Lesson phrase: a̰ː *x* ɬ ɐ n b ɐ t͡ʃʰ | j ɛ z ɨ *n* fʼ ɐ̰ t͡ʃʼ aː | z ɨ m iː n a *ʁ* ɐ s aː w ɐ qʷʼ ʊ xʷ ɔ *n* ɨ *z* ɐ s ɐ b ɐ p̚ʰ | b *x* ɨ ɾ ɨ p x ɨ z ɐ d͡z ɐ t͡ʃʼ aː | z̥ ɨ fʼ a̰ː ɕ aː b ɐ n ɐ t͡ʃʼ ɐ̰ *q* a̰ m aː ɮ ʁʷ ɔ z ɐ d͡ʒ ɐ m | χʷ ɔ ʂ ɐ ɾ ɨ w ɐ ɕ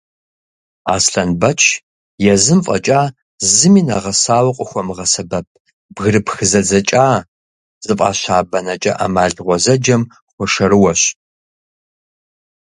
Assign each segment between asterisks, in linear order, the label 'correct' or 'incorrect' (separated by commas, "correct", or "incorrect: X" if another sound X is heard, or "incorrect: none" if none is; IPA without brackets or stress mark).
incorrect: s, incorrect: m, correct, incorrect: m, incorrect: ʁ, incorrect: ɣ, incorrect: ʔ